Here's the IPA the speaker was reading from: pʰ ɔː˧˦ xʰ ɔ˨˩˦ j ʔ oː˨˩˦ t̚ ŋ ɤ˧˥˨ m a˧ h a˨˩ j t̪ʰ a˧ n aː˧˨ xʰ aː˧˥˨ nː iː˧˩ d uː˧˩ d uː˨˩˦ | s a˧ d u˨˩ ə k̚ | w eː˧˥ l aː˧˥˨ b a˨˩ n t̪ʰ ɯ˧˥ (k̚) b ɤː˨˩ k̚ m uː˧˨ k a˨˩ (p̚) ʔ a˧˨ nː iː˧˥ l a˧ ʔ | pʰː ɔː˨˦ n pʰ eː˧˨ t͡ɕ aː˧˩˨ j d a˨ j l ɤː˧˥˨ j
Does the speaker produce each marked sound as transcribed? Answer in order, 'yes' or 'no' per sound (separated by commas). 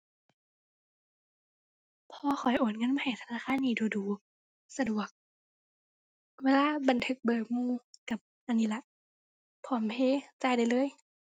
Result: yes, yes